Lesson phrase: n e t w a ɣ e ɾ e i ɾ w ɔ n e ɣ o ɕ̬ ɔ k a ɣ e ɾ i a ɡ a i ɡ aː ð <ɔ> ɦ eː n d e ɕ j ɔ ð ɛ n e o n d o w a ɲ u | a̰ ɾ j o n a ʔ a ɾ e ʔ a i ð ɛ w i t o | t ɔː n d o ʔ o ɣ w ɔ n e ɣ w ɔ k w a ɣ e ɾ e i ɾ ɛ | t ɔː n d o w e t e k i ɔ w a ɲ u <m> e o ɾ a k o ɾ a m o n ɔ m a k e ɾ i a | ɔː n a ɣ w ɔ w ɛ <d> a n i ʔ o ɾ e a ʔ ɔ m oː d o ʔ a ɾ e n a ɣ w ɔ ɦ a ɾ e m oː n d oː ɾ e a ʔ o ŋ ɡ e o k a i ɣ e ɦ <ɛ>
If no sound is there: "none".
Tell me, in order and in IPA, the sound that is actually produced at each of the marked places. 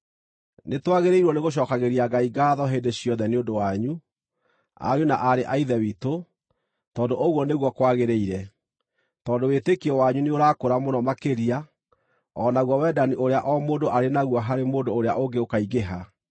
ɔ, n, d, a

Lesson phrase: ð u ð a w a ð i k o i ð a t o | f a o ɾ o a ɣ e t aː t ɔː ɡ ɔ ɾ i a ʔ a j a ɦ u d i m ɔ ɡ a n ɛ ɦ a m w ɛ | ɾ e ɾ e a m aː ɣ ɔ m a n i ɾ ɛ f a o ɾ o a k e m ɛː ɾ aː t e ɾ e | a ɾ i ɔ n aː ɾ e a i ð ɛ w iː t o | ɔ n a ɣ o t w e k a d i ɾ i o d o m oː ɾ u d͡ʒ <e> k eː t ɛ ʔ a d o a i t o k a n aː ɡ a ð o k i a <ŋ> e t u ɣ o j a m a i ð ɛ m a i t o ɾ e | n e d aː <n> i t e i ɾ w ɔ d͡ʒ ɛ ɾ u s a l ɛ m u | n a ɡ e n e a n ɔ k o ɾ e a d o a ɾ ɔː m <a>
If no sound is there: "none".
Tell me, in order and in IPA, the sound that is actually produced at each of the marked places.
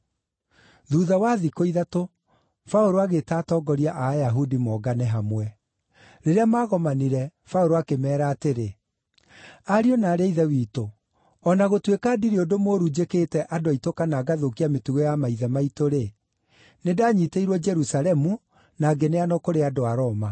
e, m, ɲ, a

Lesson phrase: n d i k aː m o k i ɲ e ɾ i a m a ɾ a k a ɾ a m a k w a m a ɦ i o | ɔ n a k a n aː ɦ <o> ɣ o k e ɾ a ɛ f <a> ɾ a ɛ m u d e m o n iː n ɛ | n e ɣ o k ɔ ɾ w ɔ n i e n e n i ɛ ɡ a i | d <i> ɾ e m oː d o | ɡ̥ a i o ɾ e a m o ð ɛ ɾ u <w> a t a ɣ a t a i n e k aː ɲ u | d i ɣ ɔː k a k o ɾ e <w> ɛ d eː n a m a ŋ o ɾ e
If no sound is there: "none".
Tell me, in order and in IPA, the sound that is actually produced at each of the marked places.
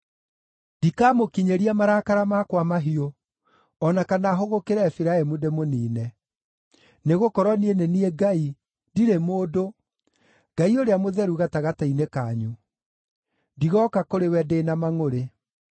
o, i, i, ɣ, w

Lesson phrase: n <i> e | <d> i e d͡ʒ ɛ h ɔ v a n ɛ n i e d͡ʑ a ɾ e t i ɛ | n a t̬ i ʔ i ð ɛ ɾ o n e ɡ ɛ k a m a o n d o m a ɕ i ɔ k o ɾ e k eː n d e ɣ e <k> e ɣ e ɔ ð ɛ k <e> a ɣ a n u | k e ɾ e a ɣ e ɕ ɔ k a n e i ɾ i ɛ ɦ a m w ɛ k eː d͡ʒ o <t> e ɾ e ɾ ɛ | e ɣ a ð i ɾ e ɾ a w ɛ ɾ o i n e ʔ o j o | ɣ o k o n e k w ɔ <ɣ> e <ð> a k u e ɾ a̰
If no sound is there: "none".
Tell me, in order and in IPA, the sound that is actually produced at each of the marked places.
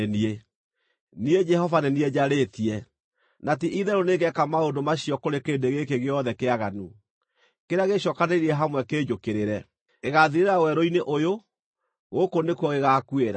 i, n, k, e, k, ɣ, ɣ

